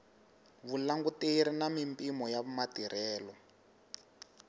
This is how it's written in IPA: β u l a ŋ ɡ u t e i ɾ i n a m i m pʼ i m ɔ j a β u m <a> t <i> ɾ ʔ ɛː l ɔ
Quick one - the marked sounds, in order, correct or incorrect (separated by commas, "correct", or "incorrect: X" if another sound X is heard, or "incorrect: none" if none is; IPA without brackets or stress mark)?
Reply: correct, correct